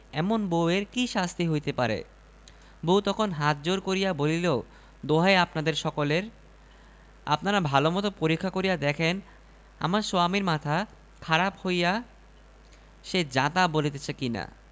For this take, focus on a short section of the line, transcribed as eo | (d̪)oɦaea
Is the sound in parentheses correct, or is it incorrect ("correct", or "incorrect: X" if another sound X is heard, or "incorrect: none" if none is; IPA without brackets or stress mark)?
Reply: correct